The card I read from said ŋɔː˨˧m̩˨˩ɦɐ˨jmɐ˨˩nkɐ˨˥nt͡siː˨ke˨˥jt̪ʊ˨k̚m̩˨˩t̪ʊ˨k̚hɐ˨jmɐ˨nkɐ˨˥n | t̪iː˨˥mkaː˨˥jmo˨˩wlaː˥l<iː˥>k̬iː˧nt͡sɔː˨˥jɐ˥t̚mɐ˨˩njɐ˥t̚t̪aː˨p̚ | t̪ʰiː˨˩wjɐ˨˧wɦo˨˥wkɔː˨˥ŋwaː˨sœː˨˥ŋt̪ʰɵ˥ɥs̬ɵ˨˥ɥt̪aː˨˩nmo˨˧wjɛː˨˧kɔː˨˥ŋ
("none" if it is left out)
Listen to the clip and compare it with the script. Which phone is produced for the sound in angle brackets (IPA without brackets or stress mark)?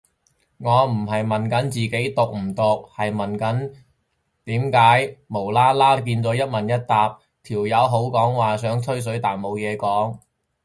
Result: aː˥